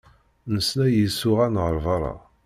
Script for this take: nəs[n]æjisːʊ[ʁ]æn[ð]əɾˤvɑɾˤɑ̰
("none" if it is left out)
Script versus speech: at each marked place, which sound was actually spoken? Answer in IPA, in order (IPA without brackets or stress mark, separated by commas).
n, ʁ, ʁ